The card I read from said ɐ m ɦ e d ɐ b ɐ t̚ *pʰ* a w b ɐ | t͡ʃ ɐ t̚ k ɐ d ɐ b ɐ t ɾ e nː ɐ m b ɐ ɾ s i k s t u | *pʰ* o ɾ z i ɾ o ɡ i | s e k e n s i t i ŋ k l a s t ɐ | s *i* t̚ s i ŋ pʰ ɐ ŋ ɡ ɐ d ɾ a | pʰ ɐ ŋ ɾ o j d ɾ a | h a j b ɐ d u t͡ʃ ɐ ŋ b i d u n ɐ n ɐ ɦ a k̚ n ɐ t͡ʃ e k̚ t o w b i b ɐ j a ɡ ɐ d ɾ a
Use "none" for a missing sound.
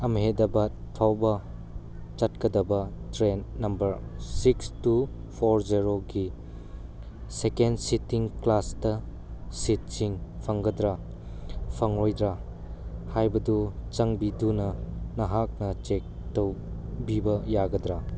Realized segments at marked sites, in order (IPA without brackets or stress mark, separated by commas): pʰ, pʰ, i